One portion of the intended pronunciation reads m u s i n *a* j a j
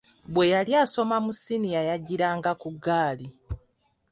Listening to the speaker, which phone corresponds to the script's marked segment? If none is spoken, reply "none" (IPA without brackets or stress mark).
i